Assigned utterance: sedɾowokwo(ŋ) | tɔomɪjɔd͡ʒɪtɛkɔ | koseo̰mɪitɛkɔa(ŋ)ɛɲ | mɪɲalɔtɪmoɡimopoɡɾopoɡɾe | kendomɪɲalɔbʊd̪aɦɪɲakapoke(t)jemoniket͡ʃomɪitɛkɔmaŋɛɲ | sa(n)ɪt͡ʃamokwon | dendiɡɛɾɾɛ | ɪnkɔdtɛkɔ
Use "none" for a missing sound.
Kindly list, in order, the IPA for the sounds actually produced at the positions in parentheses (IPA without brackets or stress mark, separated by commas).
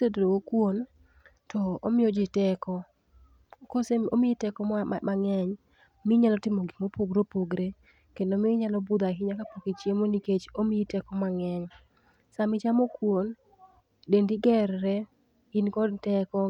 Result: n, ŋ, t͡ʃ, m